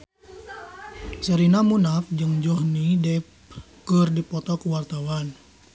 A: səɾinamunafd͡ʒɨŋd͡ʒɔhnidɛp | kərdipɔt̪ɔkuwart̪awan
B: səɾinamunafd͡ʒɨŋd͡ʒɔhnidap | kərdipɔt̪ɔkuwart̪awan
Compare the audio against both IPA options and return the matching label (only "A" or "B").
A